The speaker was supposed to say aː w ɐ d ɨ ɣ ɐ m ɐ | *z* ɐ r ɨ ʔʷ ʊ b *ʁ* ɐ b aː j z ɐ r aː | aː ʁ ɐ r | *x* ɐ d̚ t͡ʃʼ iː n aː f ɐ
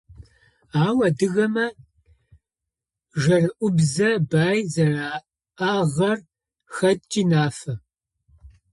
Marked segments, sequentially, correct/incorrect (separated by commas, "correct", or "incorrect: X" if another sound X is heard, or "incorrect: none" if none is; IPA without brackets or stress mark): incorrect: ʒ, incorrect: z, correct